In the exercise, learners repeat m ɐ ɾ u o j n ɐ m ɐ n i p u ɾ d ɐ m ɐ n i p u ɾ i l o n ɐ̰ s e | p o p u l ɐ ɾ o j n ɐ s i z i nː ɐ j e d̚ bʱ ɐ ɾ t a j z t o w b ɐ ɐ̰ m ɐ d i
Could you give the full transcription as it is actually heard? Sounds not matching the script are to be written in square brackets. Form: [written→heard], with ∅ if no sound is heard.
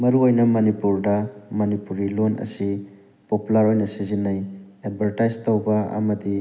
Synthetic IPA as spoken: m ɐ ɾ u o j n ɐ m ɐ n i p u ɾ d ɐ m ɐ n i p u ɾ i l o n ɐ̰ s [e→i] | p o p u l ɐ ɾ o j n ɐ s i z i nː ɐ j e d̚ bʱ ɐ ɾ t a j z t o w b ɐ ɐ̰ m ɐ d i